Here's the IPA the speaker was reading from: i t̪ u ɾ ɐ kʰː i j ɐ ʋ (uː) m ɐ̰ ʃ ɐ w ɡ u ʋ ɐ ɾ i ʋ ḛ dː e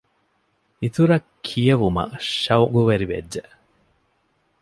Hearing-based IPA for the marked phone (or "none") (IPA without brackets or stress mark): u